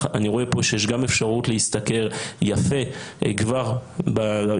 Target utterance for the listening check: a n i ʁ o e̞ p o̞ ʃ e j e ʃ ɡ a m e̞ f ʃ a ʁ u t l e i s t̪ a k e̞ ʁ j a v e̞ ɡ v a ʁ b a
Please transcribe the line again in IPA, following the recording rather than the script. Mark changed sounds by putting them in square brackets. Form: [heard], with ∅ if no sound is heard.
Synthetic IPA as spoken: a n i ʁ o e̞ p o̞ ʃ e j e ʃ ɡ a m e̞ f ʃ a ʁ u t l e i s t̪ a k e̞ ʁ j a [f] e̞ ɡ v a ʁ b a